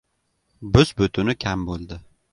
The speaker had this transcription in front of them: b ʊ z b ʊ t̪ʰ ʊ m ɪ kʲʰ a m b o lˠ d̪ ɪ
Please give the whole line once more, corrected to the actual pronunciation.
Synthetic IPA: b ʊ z b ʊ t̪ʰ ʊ n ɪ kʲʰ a m b o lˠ d̪ ɪ